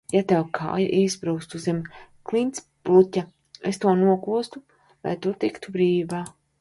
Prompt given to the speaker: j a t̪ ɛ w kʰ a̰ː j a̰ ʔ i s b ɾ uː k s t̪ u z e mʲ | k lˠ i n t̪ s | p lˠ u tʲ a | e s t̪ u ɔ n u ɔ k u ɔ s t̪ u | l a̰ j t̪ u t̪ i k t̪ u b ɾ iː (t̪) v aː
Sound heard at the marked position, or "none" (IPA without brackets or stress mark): none